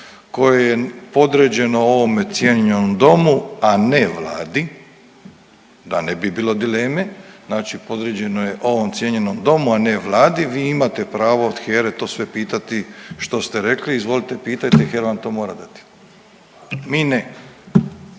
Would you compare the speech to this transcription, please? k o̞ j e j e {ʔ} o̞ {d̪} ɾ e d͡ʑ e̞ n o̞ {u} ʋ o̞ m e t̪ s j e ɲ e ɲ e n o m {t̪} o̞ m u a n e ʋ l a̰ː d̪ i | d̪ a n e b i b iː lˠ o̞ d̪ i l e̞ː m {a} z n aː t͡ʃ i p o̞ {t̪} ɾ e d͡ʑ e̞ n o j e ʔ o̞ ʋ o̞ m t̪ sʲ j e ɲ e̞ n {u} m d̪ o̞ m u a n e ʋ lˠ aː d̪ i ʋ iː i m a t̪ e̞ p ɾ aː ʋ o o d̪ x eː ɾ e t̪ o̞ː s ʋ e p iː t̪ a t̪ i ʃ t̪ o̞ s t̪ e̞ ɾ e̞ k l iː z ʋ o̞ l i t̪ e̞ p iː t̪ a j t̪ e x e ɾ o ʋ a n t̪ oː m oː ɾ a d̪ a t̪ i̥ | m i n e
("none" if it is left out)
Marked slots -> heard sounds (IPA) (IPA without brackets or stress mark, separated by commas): p, d̪, o, d̪, e, d̪, o